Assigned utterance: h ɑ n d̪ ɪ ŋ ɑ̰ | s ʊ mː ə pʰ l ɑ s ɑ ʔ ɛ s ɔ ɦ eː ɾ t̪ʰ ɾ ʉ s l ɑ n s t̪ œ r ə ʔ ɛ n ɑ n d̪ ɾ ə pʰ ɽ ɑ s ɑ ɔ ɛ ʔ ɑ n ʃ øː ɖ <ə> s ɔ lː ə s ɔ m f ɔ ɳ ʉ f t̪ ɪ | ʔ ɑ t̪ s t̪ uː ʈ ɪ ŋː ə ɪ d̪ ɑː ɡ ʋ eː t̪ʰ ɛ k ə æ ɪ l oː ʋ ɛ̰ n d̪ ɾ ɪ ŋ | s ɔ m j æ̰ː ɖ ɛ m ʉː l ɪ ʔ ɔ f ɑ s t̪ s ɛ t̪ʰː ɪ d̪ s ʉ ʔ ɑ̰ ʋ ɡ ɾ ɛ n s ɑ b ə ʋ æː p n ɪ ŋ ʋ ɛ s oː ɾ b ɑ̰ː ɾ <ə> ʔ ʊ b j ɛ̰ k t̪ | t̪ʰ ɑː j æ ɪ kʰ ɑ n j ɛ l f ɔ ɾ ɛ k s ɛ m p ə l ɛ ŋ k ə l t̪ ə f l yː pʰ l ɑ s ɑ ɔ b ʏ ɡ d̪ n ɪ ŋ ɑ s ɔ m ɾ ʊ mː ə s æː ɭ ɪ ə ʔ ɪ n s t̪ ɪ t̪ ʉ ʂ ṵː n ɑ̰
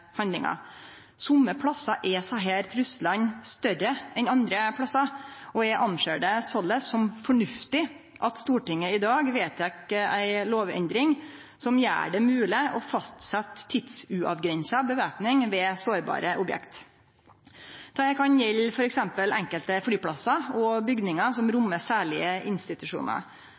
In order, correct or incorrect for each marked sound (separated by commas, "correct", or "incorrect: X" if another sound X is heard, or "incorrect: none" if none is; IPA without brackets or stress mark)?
correct, correct